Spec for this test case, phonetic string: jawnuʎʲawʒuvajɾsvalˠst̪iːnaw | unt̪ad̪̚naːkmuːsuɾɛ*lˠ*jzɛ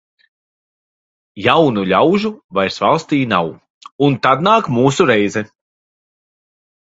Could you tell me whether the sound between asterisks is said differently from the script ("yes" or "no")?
yes